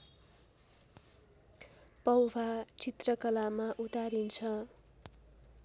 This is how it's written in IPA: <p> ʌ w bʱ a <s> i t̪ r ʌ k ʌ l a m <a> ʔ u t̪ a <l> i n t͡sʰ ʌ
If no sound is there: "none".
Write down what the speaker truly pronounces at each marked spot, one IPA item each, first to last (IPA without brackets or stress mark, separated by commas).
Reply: p, t͡s, a, ɾ